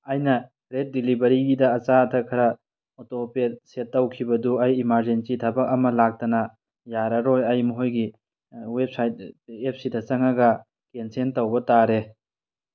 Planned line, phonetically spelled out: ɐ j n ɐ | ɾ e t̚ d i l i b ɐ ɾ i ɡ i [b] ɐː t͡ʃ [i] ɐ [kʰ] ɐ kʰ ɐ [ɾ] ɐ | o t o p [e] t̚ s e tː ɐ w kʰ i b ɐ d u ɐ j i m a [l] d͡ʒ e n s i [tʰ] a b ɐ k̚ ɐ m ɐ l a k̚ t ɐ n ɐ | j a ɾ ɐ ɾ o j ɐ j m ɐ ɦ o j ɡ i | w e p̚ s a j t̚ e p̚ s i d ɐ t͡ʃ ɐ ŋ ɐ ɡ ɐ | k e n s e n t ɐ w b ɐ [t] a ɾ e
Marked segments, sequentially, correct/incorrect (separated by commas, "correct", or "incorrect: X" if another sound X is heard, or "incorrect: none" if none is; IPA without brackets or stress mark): incorrect: d, incorrect: a, incorrect: tʰ, correct, correct, incorrect: ɾ, correct, correct